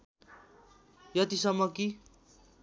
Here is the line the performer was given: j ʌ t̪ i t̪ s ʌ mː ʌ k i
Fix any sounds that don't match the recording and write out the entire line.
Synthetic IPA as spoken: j ʌ t̪ i s ʌ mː ʌ k i

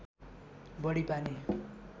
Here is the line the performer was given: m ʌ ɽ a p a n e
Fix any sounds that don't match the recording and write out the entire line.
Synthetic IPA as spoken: b ʌ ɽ i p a n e

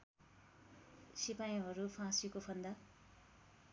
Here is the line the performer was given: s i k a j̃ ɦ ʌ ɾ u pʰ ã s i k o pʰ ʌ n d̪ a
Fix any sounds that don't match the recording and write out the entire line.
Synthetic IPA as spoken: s i p a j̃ ɦ ʌ ɾ u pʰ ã s i k o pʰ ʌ n d̪ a

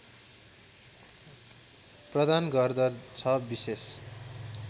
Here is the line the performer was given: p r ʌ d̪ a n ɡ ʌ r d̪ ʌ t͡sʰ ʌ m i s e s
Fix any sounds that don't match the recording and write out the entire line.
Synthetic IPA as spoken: p r ʌ d̪ a n ɡ ʌ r d̪ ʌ t͡sʰ ʌ b i s e s

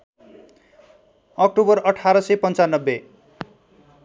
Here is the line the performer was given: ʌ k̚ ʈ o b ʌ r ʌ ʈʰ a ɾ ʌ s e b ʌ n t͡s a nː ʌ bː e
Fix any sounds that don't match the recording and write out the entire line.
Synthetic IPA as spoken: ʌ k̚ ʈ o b ʌ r ʌ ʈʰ a ɾ ʌ s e p ʌ n t͡s a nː ʌ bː e

